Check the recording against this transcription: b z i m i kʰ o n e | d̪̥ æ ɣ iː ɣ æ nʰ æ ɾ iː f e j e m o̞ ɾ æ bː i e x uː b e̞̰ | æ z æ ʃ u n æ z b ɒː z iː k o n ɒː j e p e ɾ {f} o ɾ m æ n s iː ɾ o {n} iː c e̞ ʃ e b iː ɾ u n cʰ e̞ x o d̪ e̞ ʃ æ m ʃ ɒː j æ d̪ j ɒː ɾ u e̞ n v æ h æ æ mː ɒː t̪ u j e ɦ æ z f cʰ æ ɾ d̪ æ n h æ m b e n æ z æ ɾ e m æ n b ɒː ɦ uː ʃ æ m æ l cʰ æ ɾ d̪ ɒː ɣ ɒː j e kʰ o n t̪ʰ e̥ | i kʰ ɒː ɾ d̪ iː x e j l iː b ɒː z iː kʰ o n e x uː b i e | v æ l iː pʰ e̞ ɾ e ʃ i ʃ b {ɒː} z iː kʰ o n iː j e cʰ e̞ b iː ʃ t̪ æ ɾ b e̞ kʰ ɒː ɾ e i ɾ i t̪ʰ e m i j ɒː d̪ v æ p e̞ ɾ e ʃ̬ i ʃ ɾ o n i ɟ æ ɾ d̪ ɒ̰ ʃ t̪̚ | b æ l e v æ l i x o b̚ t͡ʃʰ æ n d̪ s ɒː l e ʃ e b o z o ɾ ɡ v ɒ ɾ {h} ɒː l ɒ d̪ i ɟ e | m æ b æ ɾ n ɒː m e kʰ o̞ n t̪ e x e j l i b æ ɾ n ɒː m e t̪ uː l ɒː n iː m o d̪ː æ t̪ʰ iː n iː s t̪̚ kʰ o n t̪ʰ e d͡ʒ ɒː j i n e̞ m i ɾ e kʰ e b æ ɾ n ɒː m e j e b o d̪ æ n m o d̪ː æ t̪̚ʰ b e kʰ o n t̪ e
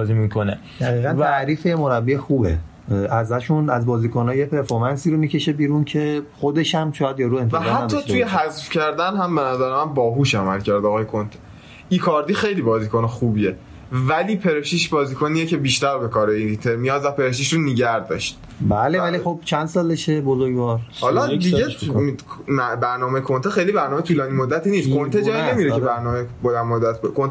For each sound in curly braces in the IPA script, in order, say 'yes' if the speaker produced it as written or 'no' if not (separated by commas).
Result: yes, no, yes, yes